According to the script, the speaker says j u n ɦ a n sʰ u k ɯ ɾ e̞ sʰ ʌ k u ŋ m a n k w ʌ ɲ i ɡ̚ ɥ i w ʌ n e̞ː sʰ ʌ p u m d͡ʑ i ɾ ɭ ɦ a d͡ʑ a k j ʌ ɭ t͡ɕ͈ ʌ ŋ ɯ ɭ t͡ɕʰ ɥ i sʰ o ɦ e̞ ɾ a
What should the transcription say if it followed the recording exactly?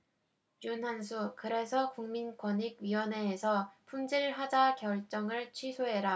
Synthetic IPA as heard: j u n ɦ a n sʰ u k ɯ ɾ e̞ sʰ ʌ k u ŋ m i n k w ʌ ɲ i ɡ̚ ɥ i w ʌ n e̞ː sʰ ʌ pʰ u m d͡ʑ i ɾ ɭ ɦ a d͡ʑ a k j ʌ ɭ t͡ɕ͈ ʌ ŋ ɯ ɭ t͡ɕʰ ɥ i sʰ o ɦ e̞ ɾ a